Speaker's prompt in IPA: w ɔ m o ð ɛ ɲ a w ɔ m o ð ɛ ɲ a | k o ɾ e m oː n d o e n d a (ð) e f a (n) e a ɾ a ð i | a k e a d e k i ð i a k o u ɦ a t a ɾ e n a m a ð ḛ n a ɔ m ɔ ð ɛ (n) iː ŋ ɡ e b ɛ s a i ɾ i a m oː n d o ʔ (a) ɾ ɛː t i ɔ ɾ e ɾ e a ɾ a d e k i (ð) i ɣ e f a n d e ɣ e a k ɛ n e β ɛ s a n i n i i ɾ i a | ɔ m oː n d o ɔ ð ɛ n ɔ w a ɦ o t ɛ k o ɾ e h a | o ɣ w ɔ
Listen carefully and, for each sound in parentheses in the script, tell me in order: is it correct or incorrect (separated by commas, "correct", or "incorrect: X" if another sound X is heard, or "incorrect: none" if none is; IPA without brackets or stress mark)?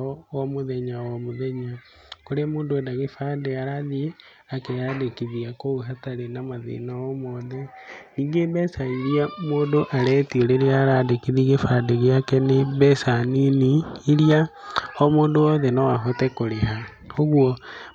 incorrect: ɣ, incorrect: d, correct, correct, correct